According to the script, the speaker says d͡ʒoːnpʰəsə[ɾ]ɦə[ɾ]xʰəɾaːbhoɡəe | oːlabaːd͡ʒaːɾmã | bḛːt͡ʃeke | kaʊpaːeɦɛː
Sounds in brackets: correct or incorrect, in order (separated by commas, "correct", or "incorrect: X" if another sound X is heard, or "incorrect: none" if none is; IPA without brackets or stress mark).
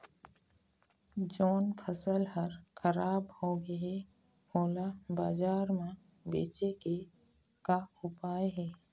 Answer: incorrect: l, correct